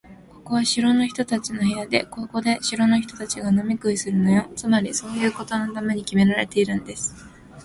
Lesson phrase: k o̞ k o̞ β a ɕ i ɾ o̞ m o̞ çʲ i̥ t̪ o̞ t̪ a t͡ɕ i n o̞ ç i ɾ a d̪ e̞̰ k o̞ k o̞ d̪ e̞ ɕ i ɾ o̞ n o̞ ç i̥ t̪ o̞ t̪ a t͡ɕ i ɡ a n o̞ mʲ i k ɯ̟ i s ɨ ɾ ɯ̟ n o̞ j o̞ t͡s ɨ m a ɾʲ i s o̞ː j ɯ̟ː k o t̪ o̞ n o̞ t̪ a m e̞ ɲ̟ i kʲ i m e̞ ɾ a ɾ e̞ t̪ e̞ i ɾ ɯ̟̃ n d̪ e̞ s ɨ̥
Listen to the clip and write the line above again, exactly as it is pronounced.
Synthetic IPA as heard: k o̞ k o̞ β a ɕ i ɾ o̞ n o̞ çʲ i̥ t̪ o̞ t̪ a t͡ɕ i n o̞ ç i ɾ a d̪ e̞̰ k o̞ k o̞ d̪ e̞ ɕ i ɾ o̞ n o̞ ç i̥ t̪ o̞ t̪ a t͡ɕ i ɡ a n o̞ mʲ i k ɯ̟ i s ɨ ɾ ɯ̟ n o̞ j o̞ t͡s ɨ m a ɾʲ i s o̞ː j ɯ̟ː k o t̪ o̞ n o̞ t̪ a m e̞ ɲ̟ i kʲ i m e̞ ɾ a ɾ e̞ t̪ e̞ i ɾ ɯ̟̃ n d̪ e̞ s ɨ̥

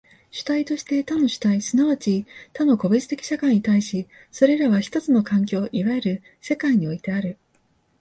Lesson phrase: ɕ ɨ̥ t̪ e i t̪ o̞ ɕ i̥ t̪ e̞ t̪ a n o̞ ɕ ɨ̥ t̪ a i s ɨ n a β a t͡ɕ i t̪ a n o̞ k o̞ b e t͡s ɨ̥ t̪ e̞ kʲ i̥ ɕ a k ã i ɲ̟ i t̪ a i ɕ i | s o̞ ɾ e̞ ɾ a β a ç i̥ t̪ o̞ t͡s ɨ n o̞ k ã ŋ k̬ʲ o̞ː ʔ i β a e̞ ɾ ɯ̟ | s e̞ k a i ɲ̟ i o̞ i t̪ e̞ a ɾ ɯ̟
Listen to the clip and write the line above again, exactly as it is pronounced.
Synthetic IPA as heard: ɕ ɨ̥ t̪ a i t̪ o̞ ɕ i̥ t̪ e̞ t̪ a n o̞ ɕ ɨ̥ t̪ a i s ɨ n a β a t͡ɕ i t̪ a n o̞ k o̞ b e t͡s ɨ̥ t̪ e̞ kʲ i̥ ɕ a k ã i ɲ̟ i t̪ a i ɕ i | s o̞ ɾ e̞ ɾ a β a ç i̥ t̪ o̞ t͡s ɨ n o̞ k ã ŋ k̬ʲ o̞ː ʔ i β a e̞ ɾ ɯ̟ | s e̞ k a i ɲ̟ i o̞ i t̪ e̞ a ɾ ɯ̟

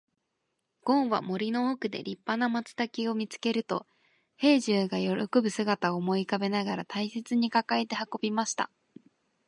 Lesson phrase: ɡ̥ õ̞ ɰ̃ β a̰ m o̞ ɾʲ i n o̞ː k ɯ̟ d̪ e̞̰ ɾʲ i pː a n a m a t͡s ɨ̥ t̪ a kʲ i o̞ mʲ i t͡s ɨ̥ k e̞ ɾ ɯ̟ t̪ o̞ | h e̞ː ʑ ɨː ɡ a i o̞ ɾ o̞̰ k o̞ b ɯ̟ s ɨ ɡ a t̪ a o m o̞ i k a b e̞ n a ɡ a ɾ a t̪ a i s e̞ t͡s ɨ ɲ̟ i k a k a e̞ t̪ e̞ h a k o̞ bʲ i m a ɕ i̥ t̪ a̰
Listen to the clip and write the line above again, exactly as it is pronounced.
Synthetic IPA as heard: ɡ̥ õ̞ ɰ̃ β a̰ m o̞ ɾʲ i n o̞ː k ɯ̟ d̪ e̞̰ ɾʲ i pː a n a m a t͡s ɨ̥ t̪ a kʲ i o̞ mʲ i t͡s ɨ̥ k e̞ ɾ ɯ̟ t̪ o̞ | h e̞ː ʑ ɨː ɡ a j o̞ ɾ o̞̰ k o̞ b ɯ̟ s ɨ ɡ a t̪ a o m o̞ i k a b e̞ n a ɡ a ɾ a t̪ a i s e̞ t͡s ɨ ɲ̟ i k a k a e̞ t̪ e̞ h a k o̞ bʲ i m a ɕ i̥ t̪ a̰

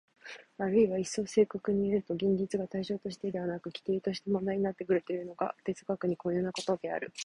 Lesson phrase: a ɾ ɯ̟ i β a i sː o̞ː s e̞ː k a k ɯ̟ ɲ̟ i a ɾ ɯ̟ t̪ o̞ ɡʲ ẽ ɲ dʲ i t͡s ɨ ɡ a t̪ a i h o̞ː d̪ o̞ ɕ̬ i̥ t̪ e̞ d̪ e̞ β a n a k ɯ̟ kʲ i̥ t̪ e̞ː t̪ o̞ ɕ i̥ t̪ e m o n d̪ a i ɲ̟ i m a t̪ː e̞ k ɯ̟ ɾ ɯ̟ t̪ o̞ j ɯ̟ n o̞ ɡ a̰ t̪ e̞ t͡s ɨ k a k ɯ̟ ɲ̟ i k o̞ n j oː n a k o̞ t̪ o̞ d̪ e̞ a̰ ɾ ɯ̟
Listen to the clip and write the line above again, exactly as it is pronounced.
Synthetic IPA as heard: a ɾ ɯ̟ i β a i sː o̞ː s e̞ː k a k ɯ̟ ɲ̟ i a ɾ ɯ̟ t̪ o̞ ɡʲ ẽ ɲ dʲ i t͡s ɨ ɡ a t̪ a i ɕ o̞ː t̪ o̞ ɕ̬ i̥ t̪ e̞ d̪ e̞ β a n a k ɯ̟ kʲ i̥ t̪ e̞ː t̪ o̞ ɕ i̥ t̪ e m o n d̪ a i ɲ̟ i n a t̪ː e̞ k ɯ̟ ɾ ɯ̟ t̪ o̞ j ɯ̟ n o̞ ɡ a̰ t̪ e̞ t͡s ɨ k a k ɯ̟ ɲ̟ i k o̞ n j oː n a k o̞ t̪ o̞ d̪ e̞ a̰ ɾ ɯ̟

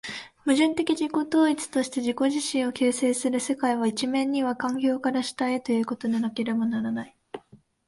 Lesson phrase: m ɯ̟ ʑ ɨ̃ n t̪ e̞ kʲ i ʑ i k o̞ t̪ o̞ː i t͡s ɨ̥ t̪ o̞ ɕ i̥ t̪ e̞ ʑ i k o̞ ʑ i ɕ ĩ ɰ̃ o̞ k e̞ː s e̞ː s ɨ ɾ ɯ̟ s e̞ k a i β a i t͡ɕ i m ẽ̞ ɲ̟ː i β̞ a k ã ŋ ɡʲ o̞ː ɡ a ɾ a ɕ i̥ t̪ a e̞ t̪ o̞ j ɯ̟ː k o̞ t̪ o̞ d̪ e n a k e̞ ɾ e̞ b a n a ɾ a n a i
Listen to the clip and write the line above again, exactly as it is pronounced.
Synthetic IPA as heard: m ɯ̟ ʑ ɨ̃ n t̪ e̞ kʲ i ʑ i k o̞ t̪ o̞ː i t͡s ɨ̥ t̪ o̞ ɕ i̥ t̪ e̞ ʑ i k o̞ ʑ i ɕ ĩ ɰ̃ o̞ k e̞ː s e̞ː s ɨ ɾ ɯ̟ s e̞ k a i β a i t͡ɕ i m ẽ̞ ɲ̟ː i β̞ a k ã ŋ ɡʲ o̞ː k a ɾ a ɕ i̥ t̪ a e̞ t̪ o̞ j ɯ̟ː k o̞ t̪ o̞ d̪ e n a k e̞ ɾ e̞ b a n a ɾ a n a i

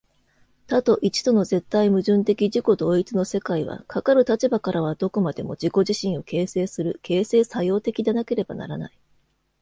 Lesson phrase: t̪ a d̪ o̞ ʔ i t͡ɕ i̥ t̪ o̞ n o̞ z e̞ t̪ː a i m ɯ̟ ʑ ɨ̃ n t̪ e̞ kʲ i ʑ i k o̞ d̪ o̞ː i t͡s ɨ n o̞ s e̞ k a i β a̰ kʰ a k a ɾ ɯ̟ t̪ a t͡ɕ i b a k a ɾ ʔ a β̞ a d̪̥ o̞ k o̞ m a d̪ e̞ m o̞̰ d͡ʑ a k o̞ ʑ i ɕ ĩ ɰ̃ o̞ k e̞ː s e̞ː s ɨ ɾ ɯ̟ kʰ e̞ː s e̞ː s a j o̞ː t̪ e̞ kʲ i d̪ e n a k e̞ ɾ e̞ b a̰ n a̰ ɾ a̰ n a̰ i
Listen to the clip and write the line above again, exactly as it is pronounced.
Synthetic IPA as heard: t̪ a t̪ o̞ ʔ i t͡ɕ i̥ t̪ o̞ n o̞ z e̞ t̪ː a i m ɯ̟ ʑ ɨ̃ n t̪ e̞ kʲ i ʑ i k o̞ d̪ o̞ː i t͡s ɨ n o̞ s e̞ k a i β a̰ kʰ a k a ɾ ɯ̟ t̪ a t͡ɕ i b a k a ɾ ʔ a β̞ a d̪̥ o̞ k o̞ m a d̪ e̞ m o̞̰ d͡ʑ i k o̞ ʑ i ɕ ĩ ɰ̃ o̞ k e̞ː s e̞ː s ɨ ɾ ɯ̟ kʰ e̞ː s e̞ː s a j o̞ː t̪ e̞ kʲ i d̪ e n a k e̞ ɾ e̞ b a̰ n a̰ ɾ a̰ n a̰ i

